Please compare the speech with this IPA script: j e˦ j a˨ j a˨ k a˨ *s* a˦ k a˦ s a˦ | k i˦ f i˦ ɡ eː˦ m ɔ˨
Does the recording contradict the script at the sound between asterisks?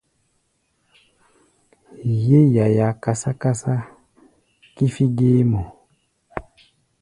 no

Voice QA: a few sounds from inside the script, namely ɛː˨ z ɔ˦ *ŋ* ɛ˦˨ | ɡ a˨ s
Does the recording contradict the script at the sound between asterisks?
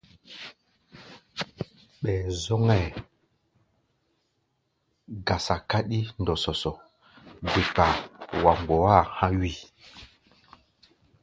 no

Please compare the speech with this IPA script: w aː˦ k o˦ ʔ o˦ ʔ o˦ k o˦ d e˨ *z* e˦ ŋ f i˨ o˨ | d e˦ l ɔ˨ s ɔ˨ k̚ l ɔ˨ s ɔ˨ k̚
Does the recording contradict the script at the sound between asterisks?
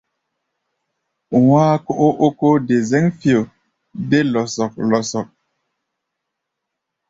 no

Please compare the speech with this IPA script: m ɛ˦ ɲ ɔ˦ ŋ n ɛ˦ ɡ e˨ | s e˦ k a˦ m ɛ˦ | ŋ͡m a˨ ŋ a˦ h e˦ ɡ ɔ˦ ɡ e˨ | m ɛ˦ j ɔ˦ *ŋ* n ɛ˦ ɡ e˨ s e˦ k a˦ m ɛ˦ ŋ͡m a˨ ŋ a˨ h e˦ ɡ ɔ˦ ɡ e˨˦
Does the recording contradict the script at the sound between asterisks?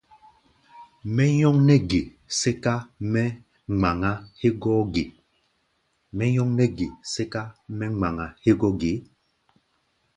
no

